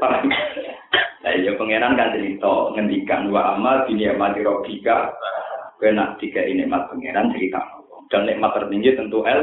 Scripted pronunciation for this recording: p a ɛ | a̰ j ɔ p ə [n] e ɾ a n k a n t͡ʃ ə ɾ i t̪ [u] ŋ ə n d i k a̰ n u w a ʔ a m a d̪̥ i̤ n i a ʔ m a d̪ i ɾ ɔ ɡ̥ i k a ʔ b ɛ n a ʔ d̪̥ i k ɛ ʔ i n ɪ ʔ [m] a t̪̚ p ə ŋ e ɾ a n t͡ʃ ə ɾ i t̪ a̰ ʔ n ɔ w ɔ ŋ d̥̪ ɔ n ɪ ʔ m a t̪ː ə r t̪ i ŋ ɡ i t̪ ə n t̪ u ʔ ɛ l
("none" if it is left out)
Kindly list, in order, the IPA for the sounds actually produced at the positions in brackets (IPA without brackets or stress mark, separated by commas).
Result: ŋ, ɔ, m